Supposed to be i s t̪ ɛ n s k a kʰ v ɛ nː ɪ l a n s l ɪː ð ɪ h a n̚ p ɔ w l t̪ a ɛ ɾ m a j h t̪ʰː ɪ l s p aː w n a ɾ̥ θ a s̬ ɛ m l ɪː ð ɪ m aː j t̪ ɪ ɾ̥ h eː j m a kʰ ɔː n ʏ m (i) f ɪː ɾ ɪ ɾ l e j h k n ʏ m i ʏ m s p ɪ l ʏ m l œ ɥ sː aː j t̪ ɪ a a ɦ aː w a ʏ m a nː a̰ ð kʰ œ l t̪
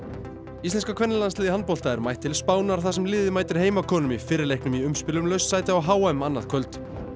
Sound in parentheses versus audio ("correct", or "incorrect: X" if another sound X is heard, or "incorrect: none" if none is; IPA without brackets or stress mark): correct